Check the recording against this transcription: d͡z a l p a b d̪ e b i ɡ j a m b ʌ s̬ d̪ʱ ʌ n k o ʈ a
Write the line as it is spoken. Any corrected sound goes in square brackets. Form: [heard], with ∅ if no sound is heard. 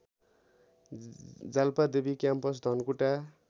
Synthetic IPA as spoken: d͡z a l p a [∅] d̪ e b i [k] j a m [p] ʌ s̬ d̪ʱ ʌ n k [u] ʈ a